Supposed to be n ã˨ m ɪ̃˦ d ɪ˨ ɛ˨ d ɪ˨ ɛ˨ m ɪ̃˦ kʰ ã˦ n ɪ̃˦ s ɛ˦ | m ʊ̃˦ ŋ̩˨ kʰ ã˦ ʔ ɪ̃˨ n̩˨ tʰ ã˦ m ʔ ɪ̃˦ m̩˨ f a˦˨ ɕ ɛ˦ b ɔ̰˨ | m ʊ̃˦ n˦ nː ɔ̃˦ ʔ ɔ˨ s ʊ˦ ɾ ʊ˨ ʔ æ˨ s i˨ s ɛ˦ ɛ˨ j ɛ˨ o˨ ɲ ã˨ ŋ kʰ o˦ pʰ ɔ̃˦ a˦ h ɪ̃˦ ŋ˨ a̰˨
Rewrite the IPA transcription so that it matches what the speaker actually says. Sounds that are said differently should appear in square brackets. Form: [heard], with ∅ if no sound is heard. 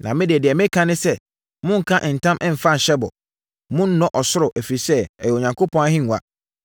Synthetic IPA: n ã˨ m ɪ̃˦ d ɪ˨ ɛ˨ d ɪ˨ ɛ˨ m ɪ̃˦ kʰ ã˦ n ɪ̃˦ s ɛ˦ | m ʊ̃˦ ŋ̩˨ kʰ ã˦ ʔ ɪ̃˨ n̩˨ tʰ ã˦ m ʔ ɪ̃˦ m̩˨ f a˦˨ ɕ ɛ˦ b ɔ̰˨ | m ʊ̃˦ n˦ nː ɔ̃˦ ʔ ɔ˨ s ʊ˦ ɾ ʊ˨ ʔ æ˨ [f] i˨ s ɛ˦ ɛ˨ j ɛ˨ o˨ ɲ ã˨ ŋ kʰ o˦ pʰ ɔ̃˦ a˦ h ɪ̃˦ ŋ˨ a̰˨